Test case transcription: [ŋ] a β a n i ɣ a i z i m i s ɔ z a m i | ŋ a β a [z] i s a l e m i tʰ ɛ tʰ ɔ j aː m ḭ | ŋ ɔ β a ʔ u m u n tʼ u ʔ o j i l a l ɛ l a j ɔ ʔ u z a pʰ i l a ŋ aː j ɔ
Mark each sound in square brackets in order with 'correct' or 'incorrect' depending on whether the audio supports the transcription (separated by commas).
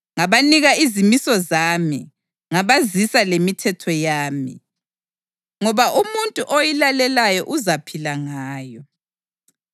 correct, correct